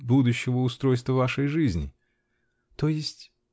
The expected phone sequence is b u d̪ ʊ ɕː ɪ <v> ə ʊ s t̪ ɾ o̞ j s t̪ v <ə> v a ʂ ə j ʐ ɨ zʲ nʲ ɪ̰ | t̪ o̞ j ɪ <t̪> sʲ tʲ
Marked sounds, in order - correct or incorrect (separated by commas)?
correct, correct, incorrect